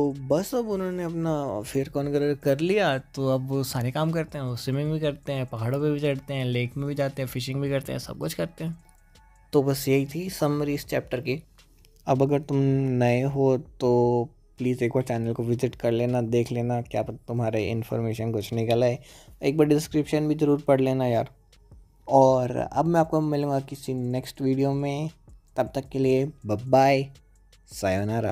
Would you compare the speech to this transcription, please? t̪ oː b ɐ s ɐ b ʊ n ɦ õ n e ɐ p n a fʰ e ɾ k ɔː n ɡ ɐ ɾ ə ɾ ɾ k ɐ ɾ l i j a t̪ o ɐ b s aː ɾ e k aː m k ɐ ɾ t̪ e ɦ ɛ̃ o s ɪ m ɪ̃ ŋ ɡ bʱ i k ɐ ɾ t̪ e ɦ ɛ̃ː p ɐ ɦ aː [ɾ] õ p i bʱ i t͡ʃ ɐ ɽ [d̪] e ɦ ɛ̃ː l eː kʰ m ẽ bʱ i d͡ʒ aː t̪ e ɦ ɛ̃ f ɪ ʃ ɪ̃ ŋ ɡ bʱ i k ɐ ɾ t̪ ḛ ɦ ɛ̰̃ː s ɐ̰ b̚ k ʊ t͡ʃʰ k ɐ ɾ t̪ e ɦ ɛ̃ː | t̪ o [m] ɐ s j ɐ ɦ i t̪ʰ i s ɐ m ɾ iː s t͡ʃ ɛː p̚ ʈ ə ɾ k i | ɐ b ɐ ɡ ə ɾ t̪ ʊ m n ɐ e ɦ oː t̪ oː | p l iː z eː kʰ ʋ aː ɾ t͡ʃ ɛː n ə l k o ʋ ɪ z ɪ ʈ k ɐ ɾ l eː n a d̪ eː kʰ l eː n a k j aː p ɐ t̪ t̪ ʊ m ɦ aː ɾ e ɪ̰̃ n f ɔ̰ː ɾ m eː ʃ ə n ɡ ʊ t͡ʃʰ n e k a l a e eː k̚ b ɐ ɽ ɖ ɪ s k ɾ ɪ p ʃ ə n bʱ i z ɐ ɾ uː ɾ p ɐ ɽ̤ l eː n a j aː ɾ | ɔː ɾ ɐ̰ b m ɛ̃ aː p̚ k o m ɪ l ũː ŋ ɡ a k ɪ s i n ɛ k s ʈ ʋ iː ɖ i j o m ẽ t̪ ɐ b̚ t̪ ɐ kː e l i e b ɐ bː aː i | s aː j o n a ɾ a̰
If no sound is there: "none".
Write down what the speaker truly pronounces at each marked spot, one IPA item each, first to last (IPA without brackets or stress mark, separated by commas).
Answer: ɽ, t̪, b